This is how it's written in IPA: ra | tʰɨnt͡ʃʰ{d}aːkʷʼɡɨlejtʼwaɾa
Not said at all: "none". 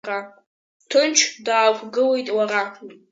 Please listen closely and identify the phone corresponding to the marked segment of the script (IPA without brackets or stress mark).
d